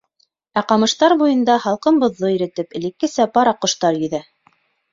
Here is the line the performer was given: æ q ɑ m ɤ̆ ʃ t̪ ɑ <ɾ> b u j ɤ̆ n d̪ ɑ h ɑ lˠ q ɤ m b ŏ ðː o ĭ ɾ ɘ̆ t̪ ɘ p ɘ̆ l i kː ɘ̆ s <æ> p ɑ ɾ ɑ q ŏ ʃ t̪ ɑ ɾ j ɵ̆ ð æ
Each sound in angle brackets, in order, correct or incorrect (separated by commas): correct, correct